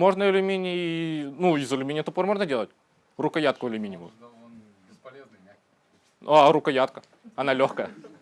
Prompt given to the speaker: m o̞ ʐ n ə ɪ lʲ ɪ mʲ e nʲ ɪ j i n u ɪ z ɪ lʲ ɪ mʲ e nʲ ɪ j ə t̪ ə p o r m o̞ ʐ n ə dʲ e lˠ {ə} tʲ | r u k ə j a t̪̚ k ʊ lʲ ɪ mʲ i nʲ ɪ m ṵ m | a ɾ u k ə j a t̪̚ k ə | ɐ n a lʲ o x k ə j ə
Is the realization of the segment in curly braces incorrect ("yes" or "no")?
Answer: no